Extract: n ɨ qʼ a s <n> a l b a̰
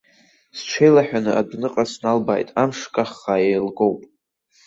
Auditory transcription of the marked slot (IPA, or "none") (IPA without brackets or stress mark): n